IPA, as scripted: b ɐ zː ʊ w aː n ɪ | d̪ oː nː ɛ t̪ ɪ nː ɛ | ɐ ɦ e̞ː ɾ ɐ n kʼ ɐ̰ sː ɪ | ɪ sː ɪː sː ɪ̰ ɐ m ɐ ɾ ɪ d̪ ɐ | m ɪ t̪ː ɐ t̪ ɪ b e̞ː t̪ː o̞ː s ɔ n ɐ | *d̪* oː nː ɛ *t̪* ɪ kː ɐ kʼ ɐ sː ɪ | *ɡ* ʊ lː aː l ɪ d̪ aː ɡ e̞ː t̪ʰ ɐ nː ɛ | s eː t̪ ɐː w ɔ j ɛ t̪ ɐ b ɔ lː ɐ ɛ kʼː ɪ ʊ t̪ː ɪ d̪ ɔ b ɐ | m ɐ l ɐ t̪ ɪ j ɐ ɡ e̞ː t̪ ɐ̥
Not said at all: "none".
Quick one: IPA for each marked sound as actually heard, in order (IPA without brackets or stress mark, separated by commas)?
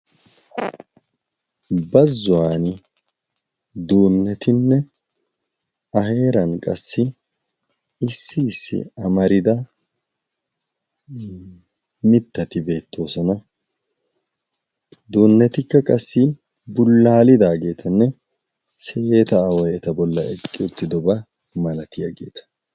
d̪, t̪, b